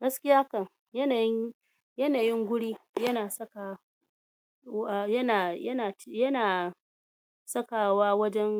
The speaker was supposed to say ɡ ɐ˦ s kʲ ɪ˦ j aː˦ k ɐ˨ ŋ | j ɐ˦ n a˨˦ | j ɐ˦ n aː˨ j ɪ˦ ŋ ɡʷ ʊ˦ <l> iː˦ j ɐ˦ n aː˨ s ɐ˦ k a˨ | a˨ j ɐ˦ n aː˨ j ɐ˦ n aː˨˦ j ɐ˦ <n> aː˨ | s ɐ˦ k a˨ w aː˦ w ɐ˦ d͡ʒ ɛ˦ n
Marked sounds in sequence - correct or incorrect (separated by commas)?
incorrect, correct